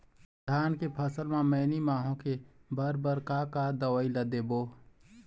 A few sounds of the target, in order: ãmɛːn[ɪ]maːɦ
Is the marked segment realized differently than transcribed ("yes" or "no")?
yes